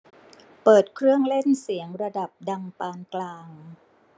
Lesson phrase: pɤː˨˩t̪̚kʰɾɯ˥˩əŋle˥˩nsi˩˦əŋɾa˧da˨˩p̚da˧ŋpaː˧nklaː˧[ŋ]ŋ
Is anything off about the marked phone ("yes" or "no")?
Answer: no